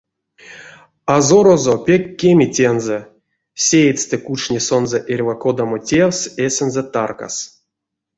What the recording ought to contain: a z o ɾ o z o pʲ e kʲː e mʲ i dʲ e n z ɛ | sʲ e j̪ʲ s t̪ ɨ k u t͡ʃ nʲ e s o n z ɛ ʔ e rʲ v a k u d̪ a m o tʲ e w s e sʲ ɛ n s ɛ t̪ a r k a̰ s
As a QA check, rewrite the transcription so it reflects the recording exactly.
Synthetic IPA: a z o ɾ o z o pʲ e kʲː e mʲ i tʲ e n z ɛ | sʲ e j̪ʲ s t̪ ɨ k u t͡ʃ nʲ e s o n z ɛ ʔ e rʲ v a k o d̪ a m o tʲ e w s e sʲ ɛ n z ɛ t̪ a r k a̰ s